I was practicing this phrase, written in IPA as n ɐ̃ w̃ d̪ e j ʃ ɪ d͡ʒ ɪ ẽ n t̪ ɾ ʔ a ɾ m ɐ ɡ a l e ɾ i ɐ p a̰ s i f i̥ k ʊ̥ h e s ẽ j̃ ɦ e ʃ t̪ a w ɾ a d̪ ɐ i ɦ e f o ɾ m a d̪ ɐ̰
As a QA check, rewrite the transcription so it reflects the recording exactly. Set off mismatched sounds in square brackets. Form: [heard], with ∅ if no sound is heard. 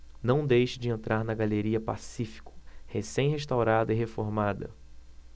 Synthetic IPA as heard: n ɐ̃ w̃ d̪ e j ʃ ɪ d͡ʒ ɪ ẽ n t̪ ɾ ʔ a ɾ [n] ɐ ɡ a l e ɾ i ɐ p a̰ s i f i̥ k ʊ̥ h e s ẽ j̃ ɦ e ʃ t̪ a w ɾ a d̪ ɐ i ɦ e f o ɾ m a d̪ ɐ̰